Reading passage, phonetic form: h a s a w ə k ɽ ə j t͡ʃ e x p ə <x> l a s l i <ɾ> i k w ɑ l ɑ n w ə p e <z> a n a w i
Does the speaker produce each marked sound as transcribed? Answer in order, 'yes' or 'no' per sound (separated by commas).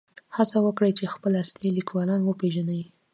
no, no, no